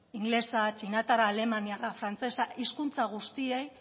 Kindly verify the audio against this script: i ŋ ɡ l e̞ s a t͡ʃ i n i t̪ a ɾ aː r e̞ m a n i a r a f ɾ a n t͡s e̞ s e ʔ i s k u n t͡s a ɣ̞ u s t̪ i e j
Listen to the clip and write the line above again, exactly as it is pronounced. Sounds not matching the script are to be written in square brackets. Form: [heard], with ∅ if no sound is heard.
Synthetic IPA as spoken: i ŋ ɡ l e̞ s a t͡ʃ i n [a] t̪ a ɾ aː [l] e̞ m a n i a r a f ɾ a n t͡s e̞ s [a] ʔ i s k u n t͡s a ɣ̞ u s t̪ i e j